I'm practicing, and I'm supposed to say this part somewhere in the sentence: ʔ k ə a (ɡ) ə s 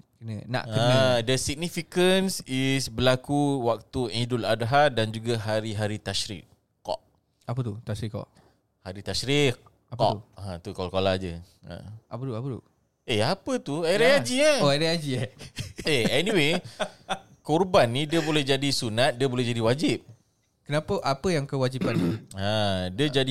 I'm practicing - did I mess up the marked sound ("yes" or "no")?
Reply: yes